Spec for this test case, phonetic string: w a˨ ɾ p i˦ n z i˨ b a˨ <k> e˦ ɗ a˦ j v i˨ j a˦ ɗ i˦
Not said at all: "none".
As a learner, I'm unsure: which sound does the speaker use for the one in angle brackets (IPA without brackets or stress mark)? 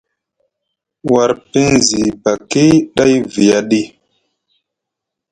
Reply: k